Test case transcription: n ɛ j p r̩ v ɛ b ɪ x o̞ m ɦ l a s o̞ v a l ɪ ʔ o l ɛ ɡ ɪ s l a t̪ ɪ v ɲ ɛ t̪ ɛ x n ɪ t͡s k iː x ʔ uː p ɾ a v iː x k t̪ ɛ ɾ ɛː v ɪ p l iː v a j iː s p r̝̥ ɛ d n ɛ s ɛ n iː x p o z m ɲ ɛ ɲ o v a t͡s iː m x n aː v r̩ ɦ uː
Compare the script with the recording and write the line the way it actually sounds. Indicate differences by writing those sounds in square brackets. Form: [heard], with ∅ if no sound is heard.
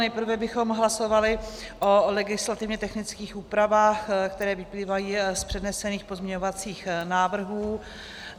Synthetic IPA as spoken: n ɛ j p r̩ v ɛ b ɪ x o̞ m ɦ l a s o̞ v a l ɪ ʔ o l ɛ ɡ ɪ s l a t̪ ɪ v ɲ ɛ t̪ ɛ x n ɪ t͡s k iː x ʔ uː p ɾ a v [aː] x k t̪ ɛ ɾ ɛː v ɪ p l iː v a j iː s p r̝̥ ɛ d n ɛ s ɛ n iː x p o z m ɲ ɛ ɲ o v a t͡s iː [∅] x n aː v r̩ ɦ uː